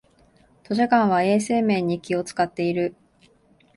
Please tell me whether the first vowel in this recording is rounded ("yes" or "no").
yes